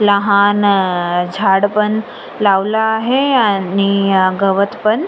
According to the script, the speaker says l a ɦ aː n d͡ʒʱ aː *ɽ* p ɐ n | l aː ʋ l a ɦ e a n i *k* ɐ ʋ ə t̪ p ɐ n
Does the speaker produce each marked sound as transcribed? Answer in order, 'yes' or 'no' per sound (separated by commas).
yes, no